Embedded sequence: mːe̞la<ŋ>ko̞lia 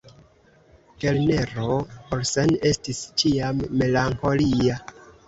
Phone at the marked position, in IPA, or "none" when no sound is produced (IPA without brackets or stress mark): ŋ